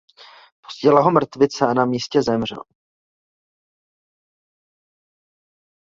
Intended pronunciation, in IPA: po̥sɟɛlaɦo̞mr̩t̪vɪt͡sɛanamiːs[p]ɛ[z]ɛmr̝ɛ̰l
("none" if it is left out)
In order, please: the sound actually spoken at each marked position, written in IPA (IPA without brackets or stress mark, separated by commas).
c, z